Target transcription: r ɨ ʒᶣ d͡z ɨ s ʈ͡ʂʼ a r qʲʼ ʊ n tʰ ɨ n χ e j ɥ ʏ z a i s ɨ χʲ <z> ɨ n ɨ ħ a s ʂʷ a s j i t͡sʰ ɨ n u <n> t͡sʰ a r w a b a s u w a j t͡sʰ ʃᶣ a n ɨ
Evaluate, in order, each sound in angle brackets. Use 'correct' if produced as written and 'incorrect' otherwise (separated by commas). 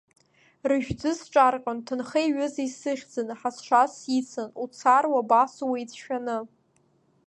incorrect, incorrect